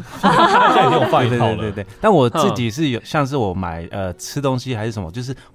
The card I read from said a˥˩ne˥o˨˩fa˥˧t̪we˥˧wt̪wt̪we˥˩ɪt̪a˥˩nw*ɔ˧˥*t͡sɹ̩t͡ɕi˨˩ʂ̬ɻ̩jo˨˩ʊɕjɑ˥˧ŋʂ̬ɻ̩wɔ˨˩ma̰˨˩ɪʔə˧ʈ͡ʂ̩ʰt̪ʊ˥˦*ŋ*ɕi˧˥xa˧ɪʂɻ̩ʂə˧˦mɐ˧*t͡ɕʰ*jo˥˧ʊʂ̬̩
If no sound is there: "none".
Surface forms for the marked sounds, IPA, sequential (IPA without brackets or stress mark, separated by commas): ɔ˨˩, ŋ, t͡ɕ